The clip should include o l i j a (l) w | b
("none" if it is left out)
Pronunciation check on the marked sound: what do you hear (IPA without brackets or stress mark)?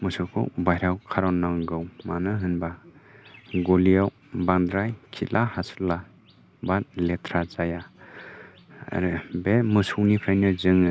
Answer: none